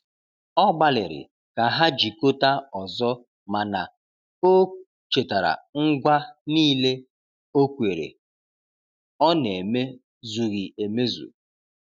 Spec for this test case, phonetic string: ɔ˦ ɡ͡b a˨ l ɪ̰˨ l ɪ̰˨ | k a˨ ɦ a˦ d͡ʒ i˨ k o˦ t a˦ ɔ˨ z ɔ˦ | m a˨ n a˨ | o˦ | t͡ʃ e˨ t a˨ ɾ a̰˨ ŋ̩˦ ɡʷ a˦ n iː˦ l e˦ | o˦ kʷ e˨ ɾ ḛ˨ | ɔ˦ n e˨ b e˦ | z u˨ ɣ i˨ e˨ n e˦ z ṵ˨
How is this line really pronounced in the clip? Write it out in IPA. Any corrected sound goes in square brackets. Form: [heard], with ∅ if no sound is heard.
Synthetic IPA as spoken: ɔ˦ ɡ͡b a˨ l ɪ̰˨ [ɾ] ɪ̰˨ | k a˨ ɦ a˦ d͡ʒ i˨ k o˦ t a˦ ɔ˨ z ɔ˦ | m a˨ n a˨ | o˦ | t͡ʃ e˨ t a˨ ɾ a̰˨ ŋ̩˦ ɡʷ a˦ n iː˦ l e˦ | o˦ kʷ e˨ ɾ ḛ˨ | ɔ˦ n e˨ [m] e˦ | z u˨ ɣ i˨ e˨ [m] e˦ z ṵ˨